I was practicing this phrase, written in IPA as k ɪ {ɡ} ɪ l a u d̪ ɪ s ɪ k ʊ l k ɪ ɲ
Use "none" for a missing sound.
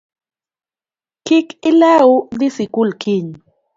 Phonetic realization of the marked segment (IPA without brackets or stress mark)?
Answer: k